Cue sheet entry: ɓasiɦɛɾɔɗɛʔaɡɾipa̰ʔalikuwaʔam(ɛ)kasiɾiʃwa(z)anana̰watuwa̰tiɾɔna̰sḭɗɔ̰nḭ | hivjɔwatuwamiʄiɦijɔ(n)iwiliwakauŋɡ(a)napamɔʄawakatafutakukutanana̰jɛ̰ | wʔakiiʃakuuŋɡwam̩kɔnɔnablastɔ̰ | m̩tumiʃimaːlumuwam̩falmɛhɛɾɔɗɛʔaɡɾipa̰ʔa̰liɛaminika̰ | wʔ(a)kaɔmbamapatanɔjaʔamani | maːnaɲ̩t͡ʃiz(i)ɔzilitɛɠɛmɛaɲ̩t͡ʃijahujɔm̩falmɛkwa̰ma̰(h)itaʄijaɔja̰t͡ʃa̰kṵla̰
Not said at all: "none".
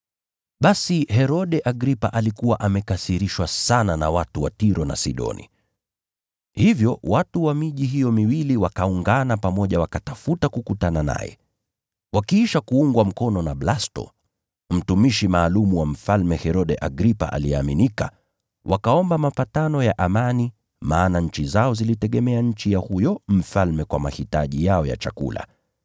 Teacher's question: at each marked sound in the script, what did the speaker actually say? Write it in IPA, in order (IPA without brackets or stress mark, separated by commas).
ɛ, s, m, a, a, a, h